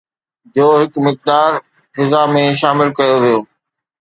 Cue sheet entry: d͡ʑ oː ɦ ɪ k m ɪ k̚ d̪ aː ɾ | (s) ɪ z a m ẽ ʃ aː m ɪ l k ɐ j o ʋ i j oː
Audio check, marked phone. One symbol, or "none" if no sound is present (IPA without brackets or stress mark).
f